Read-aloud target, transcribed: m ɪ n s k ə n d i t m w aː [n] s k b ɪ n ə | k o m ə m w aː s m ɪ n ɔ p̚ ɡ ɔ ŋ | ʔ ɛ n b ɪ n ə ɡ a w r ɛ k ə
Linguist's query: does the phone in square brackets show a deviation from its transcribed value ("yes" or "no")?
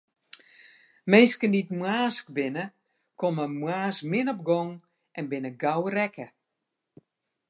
yes